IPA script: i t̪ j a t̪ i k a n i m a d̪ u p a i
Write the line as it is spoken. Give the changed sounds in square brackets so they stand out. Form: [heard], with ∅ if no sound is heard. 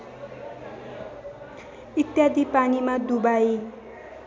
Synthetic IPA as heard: i t̪ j a [d̪] i [p] a n i m a d̪ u [b] a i